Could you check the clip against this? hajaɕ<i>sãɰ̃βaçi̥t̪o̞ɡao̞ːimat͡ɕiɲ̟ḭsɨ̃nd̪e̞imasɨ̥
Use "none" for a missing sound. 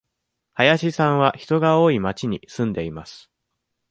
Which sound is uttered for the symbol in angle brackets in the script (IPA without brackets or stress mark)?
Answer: i